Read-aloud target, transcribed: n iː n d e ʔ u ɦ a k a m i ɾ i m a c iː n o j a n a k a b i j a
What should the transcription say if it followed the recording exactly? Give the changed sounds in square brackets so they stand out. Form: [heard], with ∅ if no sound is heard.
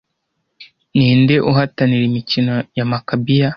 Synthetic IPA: n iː n d e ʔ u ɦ a [t] a [n] i ɾ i m [i] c [i] n o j a [m] a k a b i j a